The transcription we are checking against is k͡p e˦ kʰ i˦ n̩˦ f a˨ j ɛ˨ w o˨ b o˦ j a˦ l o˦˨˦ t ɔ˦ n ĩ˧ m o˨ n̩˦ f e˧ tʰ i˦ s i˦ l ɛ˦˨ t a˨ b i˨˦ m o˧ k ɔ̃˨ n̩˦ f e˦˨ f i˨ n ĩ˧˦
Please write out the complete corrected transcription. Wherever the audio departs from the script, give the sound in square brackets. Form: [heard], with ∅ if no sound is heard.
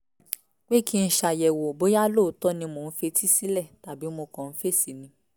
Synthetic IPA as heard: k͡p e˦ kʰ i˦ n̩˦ [ʃ] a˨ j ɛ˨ w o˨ b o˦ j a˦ l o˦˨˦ t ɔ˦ n ĩ˧ m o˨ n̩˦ f e˧ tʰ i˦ s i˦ l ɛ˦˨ t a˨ b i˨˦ m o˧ k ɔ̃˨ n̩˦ f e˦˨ [s] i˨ n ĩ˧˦